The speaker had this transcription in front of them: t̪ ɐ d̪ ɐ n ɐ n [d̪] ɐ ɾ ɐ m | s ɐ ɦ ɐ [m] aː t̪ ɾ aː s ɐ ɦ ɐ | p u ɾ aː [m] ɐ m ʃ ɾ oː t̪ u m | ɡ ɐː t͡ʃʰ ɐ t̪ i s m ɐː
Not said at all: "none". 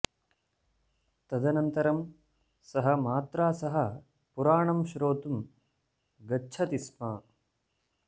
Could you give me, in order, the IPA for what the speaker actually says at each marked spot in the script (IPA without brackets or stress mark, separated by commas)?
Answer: t̪, m, ɳ